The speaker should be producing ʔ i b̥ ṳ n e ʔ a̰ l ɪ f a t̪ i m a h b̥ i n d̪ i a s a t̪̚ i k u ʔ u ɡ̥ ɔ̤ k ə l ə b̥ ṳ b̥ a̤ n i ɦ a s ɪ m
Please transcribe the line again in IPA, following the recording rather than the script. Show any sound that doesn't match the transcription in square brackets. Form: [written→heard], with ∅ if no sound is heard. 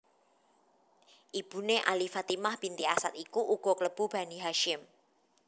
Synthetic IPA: ʔ i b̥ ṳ n e ʔ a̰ l [ɪ→i] f a t̪ i m a h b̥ i n [d̪→t̪] i a s a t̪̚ i k u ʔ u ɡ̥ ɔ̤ k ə l ə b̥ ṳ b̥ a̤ n i ɦ a [s→ʃ] ɪ m

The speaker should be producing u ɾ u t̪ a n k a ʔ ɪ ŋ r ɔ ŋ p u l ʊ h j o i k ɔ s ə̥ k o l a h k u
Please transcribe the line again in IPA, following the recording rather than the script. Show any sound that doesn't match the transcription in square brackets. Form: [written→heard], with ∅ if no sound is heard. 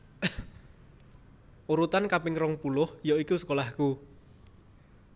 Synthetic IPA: u ɾ u t̪ a n k a [ʔ→p] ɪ ŋ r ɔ ŋ p u l ʊ h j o i k [ɔ→u] s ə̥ k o l a h k u

